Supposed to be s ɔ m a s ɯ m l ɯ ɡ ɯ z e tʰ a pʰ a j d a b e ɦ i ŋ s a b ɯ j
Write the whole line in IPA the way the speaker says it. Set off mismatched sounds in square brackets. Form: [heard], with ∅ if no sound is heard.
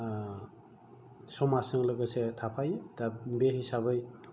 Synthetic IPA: s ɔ m a s ɯ [ŋ] l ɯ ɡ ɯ [s] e tʰ a pʰ a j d a b e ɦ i [∅] s a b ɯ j